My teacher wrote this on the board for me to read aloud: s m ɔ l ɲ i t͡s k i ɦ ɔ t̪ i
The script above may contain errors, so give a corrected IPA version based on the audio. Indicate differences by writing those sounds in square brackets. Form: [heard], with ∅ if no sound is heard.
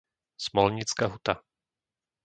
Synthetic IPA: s m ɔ l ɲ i t͡s k [a] ɦ [u] t̪ [a]

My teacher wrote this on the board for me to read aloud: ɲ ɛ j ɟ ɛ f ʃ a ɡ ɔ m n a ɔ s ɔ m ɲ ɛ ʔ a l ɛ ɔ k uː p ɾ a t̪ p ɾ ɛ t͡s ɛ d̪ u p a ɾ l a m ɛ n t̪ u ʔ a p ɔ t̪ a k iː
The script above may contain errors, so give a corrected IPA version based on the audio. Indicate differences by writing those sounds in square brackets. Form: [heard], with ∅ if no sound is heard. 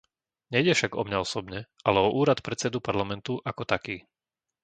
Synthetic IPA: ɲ ɛ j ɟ ɛ f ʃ a ɡ ɔ m [ɲ] a ɔ s ɔ [b] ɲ ɛ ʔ a l ɛ ɔ [ʔ] uː [∅] ɾ a t̪ p ɾ ɛ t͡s ɛ d̪ u p a ɾ l a m ɛ n t̪ u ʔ a [k] ɔ t̪ a k iː

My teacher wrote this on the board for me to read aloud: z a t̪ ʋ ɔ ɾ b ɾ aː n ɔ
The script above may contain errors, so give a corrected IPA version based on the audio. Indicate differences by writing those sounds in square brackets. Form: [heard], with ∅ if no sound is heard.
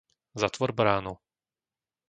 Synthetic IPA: z a t̪ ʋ ɔ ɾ b ɾ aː n [u]

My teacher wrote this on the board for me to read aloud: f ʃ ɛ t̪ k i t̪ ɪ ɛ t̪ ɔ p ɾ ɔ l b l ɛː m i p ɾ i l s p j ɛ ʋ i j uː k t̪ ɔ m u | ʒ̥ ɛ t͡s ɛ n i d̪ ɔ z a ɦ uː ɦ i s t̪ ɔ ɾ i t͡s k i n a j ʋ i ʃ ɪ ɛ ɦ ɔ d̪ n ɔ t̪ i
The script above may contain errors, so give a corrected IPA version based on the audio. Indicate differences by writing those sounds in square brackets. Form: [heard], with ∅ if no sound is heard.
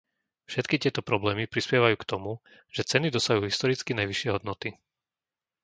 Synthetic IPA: f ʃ ɛ t̪ k i t̪ ɪ ɛ t̪ ɔ p ɾ ɔ [∅] b l ɛː m i p ɾ i [∅] s p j ɛ ʋ [a] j uː k t̪ ɔ m u | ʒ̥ ɛ t͡s ɛ n i d̪ ɔ [s] a ɦ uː ɦ i s t̪ ɔ ɾ i t͡s k i n a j ʋ i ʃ ɪ ɛ ɦ ɔ d̪ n ɔ t̪ i

